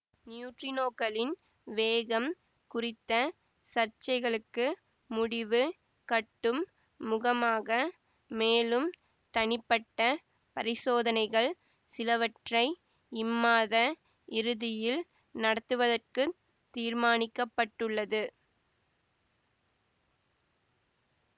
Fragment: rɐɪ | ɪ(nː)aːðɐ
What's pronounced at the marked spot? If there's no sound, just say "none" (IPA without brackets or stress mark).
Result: mː